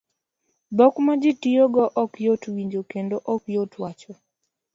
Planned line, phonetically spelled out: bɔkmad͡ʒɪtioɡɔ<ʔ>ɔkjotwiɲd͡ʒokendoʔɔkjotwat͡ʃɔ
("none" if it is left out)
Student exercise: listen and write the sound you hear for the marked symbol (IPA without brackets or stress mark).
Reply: ʔ